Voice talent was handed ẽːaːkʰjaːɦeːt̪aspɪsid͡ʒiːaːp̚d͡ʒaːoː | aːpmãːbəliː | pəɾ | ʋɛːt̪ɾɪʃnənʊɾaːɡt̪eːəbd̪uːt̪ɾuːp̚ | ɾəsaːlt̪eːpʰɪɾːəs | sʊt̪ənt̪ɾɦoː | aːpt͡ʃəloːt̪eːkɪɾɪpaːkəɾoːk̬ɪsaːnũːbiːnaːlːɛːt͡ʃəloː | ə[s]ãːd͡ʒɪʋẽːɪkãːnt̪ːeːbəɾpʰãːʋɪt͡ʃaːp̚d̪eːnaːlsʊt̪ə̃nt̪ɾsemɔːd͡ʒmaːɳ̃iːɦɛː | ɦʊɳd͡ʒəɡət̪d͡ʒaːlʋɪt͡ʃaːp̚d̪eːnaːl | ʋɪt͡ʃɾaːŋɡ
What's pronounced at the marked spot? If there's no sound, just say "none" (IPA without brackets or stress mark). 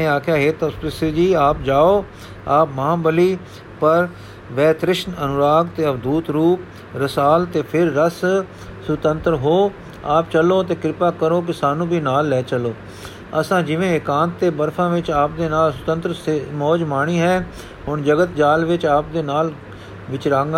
s